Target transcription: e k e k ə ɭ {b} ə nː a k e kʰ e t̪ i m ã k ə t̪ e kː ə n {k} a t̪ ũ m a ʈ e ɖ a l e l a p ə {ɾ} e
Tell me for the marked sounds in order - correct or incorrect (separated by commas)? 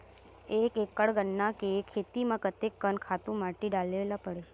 incorrect, incorrect, incorrect